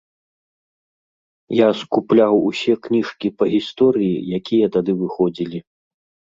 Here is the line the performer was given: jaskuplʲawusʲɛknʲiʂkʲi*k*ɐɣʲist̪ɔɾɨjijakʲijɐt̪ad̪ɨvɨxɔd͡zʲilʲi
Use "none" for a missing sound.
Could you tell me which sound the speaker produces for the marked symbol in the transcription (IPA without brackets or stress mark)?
p